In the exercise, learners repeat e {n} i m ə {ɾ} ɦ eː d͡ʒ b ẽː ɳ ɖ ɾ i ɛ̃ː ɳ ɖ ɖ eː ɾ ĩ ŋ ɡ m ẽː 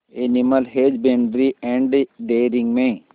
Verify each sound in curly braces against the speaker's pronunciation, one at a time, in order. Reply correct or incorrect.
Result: correct, incorrect

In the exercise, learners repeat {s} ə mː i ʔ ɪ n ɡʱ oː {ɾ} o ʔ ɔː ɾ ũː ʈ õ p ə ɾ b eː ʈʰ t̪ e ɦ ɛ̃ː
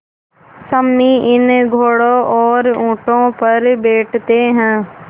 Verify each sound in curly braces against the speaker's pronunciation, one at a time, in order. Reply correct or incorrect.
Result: correct, incorrect

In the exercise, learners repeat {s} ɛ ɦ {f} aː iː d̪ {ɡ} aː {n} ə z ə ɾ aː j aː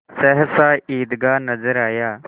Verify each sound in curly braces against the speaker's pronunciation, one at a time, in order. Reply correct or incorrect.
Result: correct, incorrect, correct, correct

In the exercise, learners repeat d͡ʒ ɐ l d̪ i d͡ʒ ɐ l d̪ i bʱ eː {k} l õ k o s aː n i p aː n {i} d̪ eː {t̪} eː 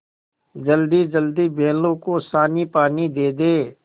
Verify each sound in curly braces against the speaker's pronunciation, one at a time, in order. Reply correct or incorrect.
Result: incorrect, correct, incorrect

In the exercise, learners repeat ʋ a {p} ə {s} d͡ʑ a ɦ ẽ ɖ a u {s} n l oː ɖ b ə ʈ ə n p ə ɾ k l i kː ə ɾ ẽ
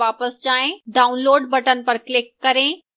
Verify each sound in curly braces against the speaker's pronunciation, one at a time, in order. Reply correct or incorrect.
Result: correct, correct, incorrect

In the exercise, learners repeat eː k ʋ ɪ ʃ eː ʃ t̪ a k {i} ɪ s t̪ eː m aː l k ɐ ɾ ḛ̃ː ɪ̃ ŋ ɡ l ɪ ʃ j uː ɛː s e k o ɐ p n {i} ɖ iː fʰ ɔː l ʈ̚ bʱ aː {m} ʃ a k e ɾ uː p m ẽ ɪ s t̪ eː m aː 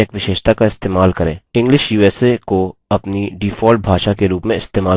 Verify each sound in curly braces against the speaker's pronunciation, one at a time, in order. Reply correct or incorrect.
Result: incorrect, correct, incorrect

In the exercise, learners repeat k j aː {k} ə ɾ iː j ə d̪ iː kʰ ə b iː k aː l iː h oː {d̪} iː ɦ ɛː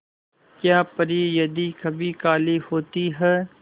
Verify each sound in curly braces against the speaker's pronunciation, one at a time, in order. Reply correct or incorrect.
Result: incorrect, incorrect

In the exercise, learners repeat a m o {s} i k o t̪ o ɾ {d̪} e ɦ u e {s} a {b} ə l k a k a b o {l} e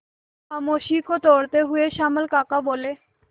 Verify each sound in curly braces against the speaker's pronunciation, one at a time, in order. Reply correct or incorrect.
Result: incorrect, incorrect, incorrect, incorrect, correct

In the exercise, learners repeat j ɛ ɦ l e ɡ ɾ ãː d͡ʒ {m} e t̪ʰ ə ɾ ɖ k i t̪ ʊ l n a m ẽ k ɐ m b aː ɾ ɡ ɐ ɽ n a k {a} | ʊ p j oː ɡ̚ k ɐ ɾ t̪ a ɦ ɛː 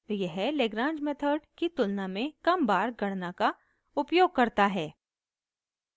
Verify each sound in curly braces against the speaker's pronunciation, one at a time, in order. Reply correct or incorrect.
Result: correct, correct

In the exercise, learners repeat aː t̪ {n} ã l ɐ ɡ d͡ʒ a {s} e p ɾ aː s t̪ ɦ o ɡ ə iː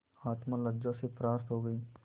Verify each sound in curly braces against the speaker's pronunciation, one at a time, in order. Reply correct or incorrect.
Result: incorrect, correct

